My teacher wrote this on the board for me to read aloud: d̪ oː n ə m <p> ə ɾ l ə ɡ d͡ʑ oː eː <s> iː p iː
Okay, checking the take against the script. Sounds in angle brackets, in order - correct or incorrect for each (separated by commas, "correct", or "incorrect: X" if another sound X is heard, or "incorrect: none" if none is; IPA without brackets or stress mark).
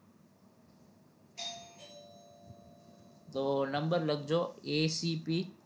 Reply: incorrect: b, correct